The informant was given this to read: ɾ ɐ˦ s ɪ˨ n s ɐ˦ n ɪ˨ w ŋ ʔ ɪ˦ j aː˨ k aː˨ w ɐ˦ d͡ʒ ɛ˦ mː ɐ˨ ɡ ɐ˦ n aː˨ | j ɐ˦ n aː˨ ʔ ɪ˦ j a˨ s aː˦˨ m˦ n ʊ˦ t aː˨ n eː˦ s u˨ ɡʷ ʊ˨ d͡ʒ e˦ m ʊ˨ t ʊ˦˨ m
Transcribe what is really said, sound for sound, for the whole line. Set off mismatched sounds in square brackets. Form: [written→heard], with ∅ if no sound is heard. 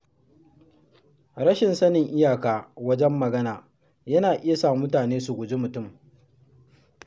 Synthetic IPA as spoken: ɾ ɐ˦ [s→ʃ] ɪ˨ n s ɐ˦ n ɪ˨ [w→∅] ŋ ʔ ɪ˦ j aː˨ k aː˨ w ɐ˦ d͡ʒ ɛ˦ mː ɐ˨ ɡ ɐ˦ n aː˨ | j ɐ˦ n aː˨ ʔ ɪ˦ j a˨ s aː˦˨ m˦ [n→m] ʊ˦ t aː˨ n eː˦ s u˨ ɡʷ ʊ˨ d͡ʒ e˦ m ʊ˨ t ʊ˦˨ m